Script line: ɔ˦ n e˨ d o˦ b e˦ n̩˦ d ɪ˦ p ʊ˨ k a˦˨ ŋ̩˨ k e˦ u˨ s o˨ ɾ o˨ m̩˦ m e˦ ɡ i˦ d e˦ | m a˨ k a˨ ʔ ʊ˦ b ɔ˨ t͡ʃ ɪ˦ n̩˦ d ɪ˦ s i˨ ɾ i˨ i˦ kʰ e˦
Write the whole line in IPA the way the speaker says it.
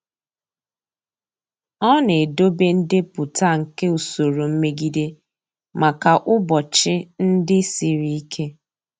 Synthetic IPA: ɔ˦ n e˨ d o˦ b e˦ n̩˦ d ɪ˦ p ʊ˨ t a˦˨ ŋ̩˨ k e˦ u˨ s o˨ ɾ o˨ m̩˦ m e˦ ɡ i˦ d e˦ | m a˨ k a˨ ʔ ʊ˦ b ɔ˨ t͡ʃ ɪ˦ n̩˦ d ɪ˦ s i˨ ɾ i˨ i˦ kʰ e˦